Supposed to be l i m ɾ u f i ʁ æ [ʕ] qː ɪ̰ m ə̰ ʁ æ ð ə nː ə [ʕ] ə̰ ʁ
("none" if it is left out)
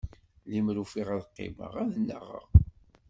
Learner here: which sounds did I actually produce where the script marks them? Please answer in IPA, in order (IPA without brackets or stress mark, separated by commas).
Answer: ð, ʁ